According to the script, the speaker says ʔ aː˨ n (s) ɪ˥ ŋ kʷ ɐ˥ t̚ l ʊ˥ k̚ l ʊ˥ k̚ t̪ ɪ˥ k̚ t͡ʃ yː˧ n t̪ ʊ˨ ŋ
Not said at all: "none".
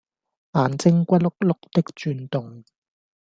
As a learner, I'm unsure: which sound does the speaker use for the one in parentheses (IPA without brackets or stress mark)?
t͡s